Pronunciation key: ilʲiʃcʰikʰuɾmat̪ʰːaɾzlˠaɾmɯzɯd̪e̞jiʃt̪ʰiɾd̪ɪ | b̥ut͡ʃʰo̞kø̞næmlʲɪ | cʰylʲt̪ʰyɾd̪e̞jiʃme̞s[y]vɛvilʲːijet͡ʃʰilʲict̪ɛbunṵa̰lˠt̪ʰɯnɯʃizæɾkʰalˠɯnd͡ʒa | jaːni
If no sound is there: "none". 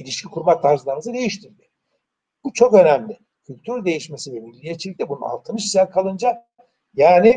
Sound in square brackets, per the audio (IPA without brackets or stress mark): i